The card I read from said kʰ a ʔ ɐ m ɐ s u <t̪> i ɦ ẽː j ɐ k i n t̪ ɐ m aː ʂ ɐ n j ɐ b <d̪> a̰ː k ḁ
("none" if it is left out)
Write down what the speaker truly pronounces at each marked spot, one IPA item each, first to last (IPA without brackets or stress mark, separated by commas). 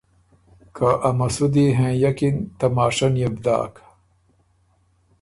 d̪, d̪